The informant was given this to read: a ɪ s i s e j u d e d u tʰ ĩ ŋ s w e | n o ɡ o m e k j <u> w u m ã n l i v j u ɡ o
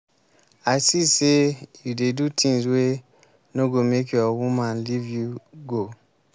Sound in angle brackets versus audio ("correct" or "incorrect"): incorrect